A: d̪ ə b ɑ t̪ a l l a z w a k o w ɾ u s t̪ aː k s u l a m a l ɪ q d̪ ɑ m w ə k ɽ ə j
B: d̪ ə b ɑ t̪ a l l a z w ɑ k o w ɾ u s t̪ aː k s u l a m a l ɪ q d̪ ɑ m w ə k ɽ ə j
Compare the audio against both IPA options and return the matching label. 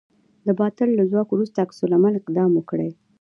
B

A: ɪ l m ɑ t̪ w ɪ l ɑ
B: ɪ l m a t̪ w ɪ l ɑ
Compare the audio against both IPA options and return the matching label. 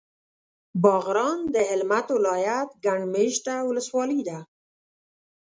B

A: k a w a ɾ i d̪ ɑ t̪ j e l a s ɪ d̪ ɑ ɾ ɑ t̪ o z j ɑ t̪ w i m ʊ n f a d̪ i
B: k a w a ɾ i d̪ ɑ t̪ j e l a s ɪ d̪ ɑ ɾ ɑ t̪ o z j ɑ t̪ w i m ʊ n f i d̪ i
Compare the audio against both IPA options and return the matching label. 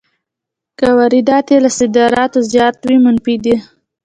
B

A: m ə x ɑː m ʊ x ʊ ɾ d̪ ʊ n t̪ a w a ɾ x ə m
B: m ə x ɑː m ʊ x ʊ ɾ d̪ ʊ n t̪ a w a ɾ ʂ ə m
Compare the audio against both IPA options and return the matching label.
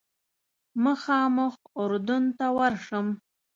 B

